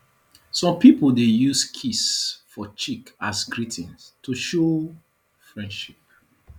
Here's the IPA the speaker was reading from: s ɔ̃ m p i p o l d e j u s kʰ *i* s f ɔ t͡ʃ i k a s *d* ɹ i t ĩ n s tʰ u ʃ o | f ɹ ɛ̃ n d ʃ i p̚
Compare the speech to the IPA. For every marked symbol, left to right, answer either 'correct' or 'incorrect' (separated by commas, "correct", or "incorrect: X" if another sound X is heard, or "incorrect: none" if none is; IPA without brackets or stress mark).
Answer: correct, incorrect: ɡ